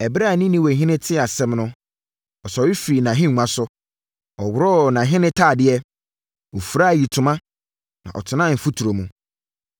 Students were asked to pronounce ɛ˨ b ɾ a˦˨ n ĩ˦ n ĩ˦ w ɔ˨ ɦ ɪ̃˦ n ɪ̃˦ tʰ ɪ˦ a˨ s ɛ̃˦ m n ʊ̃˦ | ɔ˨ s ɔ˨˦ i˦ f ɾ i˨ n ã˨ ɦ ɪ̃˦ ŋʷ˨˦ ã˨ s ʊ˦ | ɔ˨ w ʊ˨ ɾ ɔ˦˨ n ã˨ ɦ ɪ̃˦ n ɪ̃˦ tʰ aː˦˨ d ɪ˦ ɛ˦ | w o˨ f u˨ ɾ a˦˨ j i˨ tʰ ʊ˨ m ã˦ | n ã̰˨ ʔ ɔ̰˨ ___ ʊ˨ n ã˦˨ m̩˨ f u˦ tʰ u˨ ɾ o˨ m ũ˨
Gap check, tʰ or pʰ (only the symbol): tʰ